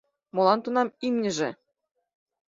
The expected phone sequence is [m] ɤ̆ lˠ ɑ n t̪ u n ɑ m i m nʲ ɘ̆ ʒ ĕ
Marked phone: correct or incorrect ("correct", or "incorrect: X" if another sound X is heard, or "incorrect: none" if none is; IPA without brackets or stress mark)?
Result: correct